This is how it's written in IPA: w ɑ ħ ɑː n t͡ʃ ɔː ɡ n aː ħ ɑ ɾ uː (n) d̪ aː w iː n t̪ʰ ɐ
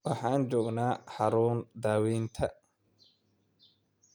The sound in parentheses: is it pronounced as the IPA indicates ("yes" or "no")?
yes